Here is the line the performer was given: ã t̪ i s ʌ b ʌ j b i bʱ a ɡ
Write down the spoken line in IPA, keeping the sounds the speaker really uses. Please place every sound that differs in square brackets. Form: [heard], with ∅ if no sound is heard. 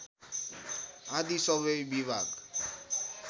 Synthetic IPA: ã [d̪] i s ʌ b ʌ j b i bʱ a ɡ